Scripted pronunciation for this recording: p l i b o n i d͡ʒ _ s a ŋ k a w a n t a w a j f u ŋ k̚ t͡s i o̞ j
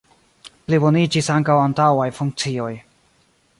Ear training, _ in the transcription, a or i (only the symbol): i